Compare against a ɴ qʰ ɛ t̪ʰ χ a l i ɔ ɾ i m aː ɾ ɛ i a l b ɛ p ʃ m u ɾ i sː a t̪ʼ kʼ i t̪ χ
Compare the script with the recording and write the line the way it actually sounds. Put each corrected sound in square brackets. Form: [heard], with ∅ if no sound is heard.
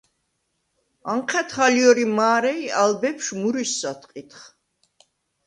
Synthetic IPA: a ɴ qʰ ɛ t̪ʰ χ a l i ɔ ɾ i m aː ɾ ɛ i a l b ɛ p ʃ m u ɾ i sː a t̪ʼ [qʼ] i t̪ χ